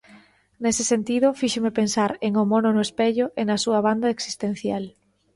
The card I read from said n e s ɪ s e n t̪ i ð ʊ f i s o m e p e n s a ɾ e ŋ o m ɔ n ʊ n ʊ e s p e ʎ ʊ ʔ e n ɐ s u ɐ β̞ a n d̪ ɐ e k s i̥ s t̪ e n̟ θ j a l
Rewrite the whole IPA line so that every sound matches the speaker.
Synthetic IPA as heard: n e s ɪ s e n t̪ i ð ʊ f i ʃ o m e p e n s a ɾ e ŋ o m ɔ n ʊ n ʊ e s p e ʎ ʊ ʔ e n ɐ s u ɐ β̞ a n d̪ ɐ e k s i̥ s t̪ e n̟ θ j a l